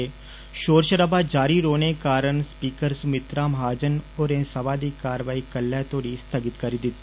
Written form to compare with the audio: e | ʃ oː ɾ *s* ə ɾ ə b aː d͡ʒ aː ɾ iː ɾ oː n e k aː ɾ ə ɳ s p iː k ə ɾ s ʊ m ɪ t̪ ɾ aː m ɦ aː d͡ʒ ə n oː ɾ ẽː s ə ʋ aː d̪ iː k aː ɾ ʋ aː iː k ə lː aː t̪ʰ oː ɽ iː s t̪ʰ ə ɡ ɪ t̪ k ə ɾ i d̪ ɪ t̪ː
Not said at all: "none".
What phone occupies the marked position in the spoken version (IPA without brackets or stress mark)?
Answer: ʃ